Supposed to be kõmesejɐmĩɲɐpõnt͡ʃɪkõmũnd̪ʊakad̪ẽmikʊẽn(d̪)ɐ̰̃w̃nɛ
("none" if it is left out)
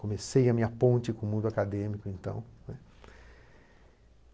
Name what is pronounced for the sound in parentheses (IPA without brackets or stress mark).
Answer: t̪